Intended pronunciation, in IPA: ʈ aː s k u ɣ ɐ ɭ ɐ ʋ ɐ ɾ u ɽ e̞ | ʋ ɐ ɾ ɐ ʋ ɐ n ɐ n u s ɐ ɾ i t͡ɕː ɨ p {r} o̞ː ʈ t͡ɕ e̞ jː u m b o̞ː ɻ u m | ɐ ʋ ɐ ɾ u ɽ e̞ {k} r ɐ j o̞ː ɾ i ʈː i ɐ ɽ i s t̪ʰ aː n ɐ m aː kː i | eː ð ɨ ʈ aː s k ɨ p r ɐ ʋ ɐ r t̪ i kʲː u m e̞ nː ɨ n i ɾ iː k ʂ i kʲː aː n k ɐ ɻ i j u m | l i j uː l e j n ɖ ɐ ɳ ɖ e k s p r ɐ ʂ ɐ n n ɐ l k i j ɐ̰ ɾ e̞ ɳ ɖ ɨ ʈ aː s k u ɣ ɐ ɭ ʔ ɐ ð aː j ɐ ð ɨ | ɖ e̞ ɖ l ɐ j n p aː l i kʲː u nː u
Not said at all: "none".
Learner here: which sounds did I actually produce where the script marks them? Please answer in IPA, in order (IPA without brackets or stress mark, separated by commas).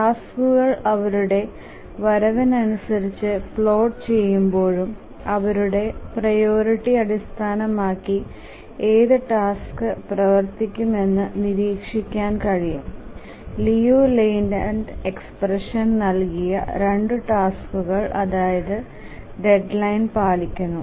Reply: ɭ, p